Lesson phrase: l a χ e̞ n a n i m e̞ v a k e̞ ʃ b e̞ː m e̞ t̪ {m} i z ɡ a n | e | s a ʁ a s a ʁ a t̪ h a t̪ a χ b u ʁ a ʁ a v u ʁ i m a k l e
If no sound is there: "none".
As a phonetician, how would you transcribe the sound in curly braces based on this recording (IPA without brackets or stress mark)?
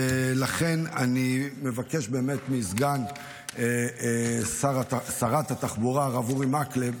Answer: m